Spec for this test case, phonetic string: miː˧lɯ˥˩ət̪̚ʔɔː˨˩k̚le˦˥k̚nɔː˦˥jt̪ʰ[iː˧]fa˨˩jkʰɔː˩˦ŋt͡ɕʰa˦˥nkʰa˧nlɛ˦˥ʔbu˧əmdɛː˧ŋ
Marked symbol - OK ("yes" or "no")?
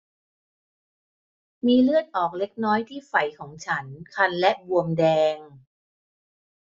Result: no